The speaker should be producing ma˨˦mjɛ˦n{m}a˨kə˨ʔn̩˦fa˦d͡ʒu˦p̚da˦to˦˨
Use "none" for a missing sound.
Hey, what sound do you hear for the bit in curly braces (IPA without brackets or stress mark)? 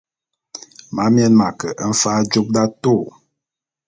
m